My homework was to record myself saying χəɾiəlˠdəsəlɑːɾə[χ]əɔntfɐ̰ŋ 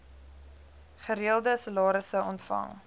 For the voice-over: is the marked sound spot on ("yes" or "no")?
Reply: no